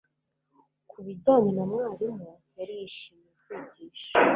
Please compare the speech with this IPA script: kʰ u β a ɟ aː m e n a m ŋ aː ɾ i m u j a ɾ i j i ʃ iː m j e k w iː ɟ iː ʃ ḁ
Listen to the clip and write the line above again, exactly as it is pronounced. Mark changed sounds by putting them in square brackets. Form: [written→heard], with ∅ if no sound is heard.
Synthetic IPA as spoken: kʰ u β [a→i] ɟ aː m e n a m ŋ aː ɾ i m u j a ɾ i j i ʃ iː m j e k w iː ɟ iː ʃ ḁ